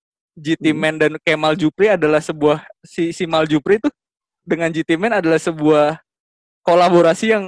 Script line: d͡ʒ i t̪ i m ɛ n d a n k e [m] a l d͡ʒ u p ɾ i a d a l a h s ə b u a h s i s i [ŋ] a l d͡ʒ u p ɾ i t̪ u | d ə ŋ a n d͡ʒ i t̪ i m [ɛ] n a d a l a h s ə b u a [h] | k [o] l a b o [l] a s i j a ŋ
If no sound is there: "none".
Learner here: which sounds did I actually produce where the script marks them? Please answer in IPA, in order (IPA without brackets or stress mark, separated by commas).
m, m, ɛ, h, o, ɾ